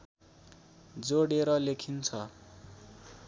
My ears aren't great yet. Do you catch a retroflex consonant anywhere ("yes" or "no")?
yes